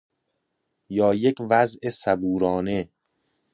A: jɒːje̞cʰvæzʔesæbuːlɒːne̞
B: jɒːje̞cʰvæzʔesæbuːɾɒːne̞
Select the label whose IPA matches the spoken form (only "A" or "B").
B